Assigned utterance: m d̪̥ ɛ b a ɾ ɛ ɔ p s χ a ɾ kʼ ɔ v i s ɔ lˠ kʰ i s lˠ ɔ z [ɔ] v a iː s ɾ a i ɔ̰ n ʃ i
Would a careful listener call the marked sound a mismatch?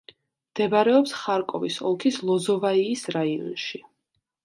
no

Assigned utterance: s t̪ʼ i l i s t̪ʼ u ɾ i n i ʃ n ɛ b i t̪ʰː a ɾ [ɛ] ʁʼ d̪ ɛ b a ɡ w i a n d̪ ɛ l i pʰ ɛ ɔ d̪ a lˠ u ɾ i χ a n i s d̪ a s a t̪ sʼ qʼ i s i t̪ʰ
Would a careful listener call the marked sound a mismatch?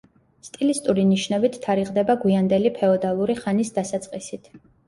yes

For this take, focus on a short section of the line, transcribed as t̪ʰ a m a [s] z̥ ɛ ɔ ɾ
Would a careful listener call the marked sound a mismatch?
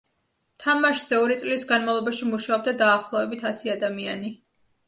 yes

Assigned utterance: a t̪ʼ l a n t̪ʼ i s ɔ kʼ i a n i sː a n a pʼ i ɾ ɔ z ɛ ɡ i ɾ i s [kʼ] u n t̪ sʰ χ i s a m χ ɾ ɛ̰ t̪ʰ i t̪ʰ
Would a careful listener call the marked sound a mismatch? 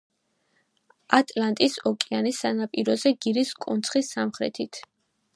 no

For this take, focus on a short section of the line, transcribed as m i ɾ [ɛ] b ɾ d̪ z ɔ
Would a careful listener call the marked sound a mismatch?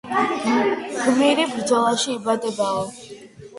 yes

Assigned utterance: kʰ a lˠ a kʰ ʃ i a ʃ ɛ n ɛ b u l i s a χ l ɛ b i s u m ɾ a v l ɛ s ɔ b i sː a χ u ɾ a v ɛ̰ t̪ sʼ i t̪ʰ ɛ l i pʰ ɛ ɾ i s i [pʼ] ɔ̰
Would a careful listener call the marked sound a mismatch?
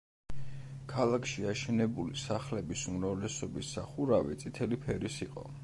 yes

